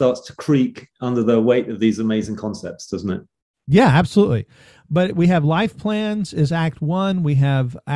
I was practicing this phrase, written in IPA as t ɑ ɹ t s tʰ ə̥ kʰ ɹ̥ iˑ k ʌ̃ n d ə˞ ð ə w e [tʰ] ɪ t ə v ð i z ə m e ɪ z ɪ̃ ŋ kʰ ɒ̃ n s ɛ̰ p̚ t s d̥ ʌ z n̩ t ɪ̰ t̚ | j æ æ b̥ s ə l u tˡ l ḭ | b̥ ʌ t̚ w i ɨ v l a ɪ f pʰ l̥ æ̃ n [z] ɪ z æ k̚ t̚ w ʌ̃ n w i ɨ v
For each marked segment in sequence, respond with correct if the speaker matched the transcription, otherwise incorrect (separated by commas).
incorrect, correct